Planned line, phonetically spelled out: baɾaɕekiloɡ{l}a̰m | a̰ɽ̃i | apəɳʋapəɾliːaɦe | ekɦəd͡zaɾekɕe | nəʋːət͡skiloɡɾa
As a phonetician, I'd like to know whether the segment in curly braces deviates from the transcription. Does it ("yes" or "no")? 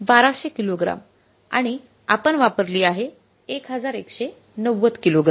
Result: yes